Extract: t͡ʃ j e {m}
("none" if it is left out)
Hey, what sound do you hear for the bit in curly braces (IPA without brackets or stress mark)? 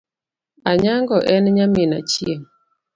ŋ